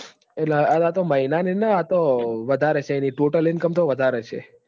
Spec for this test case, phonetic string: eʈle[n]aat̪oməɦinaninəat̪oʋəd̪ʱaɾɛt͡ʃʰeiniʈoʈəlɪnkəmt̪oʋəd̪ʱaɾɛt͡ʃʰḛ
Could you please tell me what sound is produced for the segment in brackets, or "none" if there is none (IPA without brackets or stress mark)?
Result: none